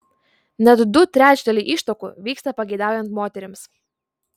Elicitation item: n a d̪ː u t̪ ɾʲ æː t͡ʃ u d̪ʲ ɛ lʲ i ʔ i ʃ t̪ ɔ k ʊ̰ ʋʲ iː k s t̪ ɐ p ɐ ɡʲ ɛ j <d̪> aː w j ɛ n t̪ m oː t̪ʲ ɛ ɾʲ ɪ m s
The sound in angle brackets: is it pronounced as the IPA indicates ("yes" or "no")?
yes